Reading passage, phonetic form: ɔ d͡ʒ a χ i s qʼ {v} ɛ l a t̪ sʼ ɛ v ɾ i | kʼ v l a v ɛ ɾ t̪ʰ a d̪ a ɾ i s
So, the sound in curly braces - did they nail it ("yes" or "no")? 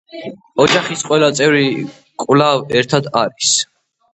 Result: no